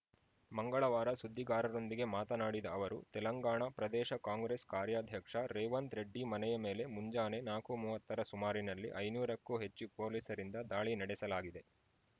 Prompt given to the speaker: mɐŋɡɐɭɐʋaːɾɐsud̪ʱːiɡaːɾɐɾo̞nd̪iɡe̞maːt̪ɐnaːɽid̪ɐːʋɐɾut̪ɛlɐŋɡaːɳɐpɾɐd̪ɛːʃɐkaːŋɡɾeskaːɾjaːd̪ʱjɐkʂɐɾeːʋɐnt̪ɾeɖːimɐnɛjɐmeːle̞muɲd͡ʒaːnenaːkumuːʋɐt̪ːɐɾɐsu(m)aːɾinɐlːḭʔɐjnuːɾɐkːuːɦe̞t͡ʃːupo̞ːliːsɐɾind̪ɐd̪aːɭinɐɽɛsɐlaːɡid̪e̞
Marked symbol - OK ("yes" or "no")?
yes